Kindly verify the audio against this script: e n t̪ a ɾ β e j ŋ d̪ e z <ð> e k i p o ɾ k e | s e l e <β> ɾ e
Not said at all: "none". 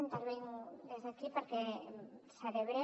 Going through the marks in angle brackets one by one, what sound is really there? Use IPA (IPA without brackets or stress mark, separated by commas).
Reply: ð, β